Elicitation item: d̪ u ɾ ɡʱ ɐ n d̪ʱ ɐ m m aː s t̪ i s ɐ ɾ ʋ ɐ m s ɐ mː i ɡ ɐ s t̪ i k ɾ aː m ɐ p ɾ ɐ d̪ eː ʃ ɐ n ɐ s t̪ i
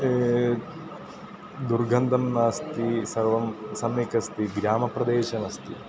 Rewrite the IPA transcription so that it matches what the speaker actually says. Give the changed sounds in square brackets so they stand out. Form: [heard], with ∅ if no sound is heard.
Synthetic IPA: d̪ u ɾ ɡʱ ɐ n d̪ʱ ɐ m [n] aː s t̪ i s ɐ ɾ ʋ ɐ m s ɐ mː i [k] ɐ s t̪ i [ɡ] ɾ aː m ɐ p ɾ ɐ d̪ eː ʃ ɐ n ɐ s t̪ i